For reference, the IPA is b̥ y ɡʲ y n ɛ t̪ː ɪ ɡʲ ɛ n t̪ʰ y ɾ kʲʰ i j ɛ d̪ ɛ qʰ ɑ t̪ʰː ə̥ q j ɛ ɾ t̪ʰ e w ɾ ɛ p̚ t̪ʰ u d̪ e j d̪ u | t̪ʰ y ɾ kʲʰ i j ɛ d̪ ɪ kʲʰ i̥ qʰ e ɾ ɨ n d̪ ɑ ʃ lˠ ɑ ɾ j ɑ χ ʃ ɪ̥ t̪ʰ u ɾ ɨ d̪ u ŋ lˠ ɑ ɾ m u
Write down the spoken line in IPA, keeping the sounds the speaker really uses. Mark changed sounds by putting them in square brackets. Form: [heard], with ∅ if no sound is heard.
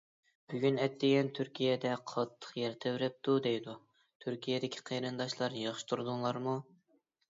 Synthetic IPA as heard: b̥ y ɡʲ y n ɛ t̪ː ɪ ɡʲ ɛ n t̪ʰ y ɾ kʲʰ i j ɛ d̪ ɛ qʰ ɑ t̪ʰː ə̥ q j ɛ ɾ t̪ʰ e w ɾ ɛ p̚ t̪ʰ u d̪ e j d̪ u | t̪ʰ y ɾ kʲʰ i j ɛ d̪ ɪ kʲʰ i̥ qʰ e ɾ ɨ n d̪ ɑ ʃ lˠ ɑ ɾ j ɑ χ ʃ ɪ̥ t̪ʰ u ɾ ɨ d̪ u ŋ lˠ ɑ ɾ m u